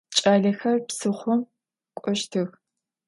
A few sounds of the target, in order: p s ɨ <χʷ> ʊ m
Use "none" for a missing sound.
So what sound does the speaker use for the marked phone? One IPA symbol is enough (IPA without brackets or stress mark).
χʷ